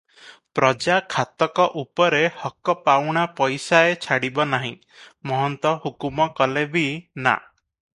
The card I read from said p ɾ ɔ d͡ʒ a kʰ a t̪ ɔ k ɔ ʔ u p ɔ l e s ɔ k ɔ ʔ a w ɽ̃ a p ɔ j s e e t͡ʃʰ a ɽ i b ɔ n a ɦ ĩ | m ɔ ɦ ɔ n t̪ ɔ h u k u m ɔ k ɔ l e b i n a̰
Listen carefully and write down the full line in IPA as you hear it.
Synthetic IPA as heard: p ɾ ɔ d͡ʒ a kʰ a t̪ ɔ k ɔ ʔ u p ɔ ɾ e h ɔ k ɔ p a w ɽ̃ a p ɔ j s a e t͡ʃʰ a ɽ i b ɔ n a ɦ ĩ | m ɔ ɦ ɔ n t̪ ɔ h u k u m ɔ k ɔ l e b i n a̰

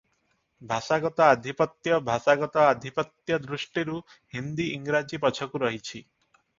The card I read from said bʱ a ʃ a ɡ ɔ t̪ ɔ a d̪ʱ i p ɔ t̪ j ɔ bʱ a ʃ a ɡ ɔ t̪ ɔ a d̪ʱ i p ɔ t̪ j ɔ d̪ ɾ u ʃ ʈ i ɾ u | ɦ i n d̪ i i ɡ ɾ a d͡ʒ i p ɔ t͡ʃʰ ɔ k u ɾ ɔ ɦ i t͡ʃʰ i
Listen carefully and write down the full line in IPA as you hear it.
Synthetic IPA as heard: bʱ a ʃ a ɡ ɔ t̪ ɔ a d̪ʱ i p ɔ t̪ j ɔ bʱ a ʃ a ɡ ɔ t̪ ɔ a d̪ʱ i p ɔ t̪ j ɔ d̪ ɾ u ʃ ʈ i ɾ u | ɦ i n d̪ i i ŋ ɾ a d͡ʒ i p ɔ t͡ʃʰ ɔ k u ɾ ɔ ɦ i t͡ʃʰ i

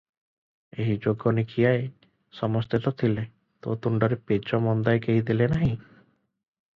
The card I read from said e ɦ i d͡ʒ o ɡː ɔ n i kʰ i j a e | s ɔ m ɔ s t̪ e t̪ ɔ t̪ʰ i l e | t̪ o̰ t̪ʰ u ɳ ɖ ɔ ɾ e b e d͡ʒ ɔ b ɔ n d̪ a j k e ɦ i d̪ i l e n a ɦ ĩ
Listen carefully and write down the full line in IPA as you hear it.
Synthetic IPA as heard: e ɦ i d͡ʒ o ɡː ɔ n i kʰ i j a e | s ɔ m ɔ s t̪ e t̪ ɔ t̪ʰ i l e | t̪ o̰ t̪ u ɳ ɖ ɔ ɾ e p e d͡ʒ ɔ m ɔ n d̪ a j k e ɦ i d̪ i l e n a ɦ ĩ

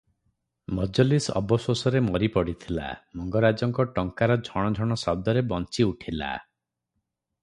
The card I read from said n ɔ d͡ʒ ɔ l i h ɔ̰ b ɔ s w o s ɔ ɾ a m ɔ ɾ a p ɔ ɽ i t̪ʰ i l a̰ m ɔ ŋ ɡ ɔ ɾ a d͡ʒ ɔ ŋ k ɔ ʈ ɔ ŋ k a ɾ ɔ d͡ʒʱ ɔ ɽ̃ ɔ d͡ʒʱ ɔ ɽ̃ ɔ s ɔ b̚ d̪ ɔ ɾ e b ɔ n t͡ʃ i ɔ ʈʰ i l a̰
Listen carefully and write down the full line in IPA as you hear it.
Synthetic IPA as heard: m ɔ d͡ʒ ɔ l i s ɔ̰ b ɔ s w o s ɔ ɾ e m ɔ ɾ i p ɔ ɽ i t̪ʰ i l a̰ m ɔ ŋ ɡ ɔ ɾ a d͡ʒ ɔ ŋ k ɔ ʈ ɔ ŋ k a ɾ ɔ d͡ʒʱ ɔ ɽ̃ ɔ d͡ʒʱ ɔ ɽ̃ ɔ s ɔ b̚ d̪ ɔ ɾ e b ɔ n t͡ʃ i u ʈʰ i l a̰

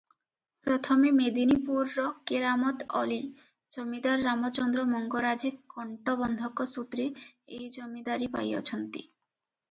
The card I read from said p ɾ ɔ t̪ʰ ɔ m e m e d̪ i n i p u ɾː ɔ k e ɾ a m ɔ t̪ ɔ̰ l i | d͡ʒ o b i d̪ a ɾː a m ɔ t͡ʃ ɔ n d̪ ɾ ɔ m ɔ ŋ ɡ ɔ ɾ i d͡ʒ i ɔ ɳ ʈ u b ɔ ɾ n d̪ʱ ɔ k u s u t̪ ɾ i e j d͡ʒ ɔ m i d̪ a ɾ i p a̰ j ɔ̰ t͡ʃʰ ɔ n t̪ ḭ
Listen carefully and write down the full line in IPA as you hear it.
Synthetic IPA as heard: p ɾ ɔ t̪ʰ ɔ m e m e d̪ i n i p u ɾː ɔ k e ɾ a m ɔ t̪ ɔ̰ l i | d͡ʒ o m i d̪ a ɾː a m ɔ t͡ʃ ɔ n d̪ ɾ ɔ m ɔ ŋ ɡ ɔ ɾ a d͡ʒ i ɔ ɳ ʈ ɔ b ɔ n d̪ʱ ɔ k ɔ s u t̪ ɾ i e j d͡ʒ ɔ m i d̪ a ɾ i p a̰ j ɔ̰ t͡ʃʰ ɔ n t̪ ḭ

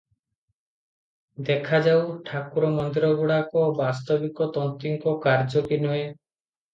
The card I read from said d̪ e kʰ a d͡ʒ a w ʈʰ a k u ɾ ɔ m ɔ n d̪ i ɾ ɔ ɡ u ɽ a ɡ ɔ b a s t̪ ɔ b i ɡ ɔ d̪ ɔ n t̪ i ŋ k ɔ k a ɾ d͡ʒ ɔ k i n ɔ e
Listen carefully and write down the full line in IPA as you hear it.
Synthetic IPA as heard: d̪ e kʰ a d͡ʒ a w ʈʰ a k u ɾ ɔ m ɔ n d̪ i ɾ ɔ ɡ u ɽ a k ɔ b a s t̪ ɔ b i k ɔ t̪ ɔ n t̪ i ŋ k ɔ k a ɾ d͡ʒ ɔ k i n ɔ e

